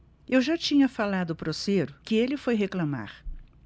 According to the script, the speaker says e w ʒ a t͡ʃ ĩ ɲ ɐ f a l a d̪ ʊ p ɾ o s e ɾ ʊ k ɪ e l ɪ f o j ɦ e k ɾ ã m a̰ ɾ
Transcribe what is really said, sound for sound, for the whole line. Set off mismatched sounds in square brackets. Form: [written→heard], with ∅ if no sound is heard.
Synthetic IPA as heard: e w ʒ a t͡ʃ ĩ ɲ ɐ f a l a d̪ ʊ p ɾ o s e ɾ ʊ k ɪ e l ɪ f o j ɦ e k [ɾ→l] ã m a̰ ɾ